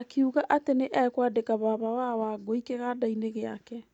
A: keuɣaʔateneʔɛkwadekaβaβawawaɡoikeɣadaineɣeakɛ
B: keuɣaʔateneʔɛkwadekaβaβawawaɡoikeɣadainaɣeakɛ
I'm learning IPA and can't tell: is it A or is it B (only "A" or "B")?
A